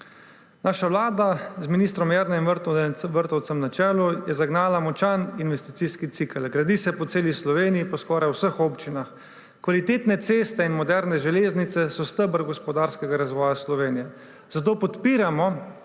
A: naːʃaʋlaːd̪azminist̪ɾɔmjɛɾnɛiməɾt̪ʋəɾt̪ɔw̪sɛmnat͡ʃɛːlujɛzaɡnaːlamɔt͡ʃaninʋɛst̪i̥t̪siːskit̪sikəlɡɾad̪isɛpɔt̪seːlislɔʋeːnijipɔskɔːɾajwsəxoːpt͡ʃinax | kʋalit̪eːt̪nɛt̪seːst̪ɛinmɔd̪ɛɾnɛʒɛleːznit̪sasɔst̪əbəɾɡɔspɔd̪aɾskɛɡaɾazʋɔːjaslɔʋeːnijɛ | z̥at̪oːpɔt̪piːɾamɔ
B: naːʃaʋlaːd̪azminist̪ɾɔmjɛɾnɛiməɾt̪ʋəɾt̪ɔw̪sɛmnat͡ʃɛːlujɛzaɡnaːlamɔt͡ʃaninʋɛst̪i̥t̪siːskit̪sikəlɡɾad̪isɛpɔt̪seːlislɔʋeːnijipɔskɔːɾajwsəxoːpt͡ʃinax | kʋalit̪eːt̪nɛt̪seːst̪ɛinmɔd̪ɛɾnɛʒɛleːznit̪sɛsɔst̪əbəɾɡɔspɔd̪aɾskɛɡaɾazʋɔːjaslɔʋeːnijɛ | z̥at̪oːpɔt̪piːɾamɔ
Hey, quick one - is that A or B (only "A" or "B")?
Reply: B